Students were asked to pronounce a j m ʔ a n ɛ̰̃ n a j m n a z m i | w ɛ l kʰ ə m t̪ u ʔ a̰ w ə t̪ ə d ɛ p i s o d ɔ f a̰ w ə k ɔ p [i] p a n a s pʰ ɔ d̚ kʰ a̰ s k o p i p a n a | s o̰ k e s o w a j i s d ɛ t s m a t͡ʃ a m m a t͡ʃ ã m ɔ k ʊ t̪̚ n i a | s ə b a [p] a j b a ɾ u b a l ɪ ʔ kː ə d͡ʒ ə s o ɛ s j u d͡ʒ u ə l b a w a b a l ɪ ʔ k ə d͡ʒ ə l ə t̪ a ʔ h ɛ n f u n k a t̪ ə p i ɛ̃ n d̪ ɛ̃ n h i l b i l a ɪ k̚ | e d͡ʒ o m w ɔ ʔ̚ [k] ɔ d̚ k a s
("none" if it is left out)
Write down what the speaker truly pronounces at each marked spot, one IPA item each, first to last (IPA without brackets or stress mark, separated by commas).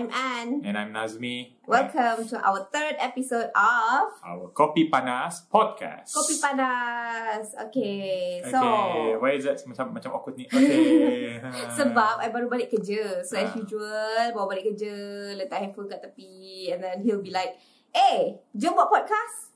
i, p, p